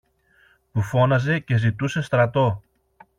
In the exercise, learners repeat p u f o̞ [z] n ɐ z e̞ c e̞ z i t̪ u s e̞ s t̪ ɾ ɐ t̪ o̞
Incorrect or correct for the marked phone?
incorrect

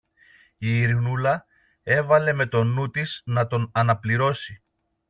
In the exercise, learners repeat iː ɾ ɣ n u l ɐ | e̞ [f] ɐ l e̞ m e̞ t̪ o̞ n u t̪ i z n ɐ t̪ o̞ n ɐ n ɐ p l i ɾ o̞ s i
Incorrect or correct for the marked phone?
incorrect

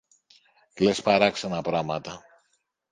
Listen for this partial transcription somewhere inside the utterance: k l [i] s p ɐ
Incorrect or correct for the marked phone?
incorrect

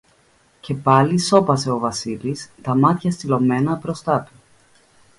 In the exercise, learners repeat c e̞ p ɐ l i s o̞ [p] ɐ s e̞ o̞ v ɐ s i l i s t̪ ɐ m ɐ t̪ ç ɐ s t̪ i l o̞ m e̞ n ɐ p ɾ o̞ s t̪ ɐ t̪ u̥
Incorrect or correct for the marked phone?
correct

